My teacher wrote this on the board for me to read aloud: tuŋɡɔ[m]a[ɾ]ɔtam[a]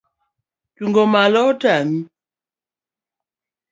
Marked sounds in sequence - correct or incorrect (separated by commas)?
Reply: correct, incorrect, incorrect